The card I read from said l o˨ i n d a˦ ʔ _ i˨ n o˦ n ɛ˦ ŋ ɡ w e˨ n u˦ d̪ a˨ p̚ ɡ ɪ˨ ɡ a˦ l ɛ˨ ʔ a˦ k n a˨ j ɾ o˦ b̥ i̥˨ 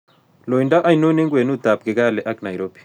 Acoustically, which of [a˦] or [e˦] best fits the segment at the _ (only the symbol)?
a˦